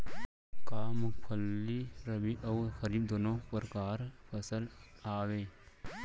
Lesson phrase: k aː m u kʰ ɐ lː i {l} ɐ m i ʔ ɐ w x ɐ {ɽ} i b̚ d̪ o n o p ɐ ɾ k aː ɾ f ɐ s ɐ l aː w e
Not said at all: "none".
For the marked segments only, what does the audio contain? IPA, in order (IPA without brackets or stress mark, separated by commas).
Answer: ɾ, ɾ